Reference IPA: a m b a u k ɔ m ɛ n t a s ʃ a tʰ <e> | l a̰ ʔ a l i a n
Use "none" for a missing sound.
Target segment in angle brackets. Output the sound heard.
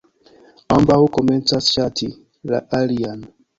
i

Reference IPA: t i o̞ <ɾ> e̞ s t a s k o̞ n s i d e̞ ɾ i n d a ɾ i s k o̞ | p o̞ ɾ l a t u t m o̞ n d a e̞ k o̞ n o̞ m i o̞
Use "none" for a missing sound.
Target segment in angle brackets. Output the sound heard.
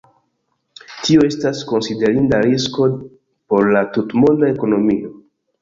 none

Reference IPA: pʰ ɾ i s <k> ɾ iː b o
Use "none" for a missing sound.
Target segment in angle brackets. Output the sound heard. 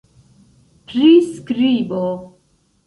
k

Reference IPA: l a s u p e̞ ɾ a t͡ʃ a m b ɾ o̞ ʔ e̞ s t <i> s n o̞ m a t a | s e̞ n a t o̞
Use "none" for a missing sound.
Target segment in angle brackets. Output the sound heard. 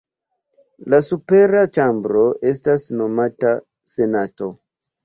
a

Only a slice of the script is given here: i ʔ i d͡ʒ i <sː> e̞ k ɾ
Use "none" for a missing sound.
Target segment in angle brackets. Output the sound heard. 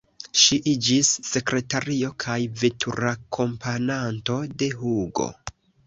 sː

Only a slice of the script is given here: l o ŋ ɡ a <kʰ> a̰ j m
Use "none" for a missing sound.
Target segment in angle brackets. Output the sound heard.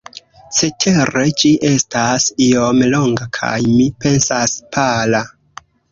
kʰ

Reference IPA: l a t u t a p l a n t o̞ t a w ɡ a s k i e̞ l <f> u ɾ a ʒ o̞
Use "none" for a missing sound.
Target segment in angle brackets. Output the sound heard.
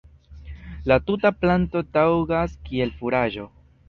f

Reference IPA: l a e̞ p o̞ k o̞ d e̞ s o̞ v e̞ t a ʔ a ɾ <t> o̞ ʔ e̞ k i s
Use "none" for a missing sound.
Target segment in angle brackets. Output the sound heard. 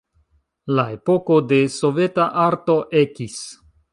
t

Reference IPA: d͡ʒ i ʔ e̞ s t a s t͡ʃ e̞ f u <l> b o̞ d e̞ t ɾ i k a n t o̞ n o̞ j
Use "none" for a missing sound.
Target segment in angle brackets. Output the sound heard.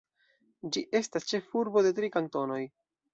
ɾ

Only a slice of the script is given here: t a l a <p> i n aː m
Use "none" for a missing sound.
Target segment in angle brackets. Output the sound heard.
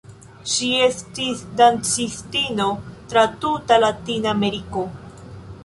t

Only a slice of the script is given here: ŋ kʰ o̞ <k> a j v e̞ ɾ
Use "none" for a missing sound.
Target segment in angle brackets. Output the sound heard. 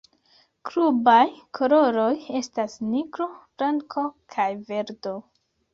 kʰ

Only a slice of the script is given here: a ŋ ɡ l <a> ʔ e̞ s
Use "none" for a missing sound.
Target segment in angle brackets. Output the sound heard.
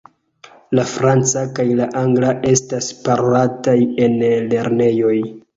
a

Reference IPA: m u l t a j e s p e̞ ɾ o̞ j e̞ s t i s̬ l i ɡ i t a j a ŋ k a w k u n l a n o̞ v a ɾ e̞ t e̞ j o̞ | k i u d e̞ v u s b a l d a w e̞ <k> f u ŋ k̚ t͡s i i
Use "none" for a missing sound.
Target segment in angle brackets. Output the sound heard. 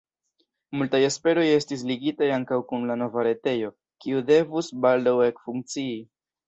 k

